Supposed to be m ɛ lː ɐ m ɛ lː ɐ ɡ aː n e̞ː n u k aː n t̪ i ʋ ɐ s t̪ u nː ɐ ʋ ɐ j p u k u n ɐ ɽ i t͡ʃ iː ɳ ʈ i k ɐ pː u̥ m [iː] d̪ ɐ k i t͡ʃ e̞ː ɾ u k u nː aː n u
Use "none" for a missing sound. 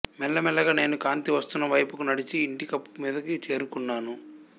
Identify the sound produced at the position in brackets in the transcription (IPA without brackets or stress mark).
iː